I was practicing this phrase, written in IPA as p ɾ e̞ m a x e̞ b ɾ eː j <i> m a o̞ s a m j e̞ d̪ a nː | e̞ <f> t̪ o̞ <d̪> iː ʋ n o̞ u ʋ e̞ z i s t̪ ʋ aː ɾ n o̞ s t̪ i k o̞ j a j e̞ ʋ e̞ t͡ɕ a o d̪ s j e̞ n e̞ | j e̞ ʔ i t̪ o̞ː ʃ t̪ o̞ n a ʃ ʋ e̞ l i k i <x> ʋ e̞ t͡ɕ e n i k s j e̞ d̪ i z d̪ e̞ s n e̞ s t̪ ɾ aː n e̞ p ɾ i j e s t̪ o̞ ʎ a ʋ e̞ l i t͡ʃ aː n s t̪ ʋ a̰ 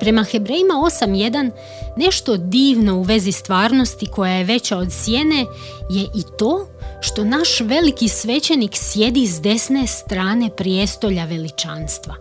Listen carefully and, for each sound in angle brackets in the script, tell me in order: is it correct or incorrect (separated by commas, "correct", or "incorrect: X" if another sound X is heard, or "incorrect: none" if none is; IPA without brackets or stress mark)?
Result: correct, incorrect: ʃ, correct, incorrect: s